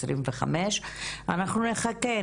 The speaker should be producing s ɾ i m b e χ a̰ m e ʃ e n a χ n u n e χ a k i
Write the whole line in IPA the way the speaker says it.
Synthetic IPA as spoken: s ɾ i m v e χ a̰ m e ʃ a n a χ n u n e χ a k e